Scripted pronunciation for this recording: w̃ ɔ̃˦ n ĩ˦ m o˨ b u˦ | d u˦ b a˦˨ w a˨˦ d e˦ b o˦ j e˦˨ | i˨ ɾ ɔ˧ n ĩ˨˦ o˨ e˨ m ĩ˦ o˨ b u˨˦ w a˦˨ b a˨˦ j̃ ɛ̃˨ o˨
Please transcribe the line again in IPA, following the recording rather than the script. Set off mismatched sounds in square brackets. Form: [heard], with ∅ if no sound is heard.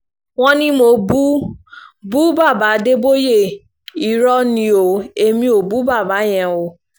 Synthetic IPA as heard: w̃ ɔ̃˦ n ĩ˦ m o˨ b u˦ | [b] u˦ b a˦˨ [b] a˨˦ d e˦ b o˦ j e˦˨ | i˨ ɾ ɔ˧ n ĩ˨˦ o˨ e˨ m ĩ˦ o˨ b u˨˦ [b] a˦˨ b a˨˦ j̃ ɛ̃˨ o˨